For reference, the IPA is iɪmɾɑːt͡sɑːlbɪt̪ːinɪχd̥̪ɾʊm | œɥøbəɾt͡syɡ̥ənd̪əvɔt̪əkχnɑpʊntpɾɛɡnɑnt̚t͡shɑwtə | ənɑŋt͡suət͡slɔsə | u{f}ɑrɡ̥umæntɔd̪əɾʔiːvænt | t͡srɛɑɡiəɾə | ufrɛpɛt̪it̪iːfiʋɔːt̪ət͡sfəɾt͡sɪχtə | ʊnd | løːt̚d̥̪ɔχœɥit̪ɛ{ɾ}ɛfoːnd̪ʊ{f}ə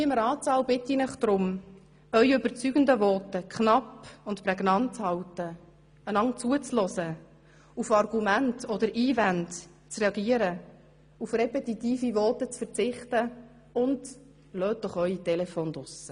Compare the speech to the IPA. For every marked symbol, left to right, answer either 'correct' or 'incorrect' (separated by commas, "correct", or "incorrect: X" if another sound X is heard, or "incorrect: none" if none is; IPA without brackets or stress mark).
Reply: correct, incorrect: l, incorrect: s